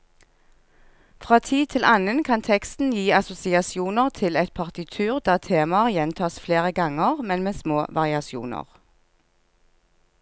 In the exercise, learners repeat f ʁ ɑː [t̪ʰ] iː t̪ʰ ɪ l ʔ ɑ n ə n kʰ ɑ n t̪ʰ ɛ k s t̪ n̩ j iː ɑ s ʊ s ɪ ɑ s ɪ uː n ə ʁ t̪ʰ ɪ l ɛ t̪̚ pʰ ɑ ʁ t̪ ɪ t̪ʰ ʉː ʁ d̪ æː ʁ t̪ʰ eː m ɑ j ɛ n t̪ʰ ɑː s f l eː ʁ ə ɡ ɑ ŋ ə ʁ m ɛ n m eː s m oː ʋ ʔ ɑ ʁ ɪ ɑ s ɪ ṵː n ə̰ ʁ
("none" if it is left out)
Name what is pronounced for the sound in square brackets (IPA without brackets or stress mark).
t̪ʰ